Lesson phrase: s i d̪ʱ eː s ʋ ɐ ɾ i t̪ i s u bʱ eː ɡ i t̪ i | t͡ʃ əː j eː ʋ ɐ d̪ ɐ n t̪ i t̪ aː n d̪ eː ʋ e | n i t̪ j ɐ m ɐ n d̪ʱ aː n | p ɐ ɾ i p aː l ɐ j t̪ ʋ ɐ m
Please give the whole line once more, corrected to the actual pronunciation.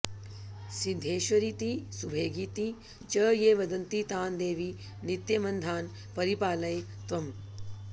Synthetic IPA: s i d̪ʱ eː ʃ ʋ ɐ ɾ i t̪ i s u bʱ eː ɡ i t̪ i | t͡ʃ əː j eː ʋ ɐ d̪ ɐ n t̪ i t̪ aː n d̪ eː ʋ i | n i t̪ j ɐ m ɐ n d̪ʱ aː n | p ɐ ɾ i p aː l ɐ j t̪ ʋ ɐ m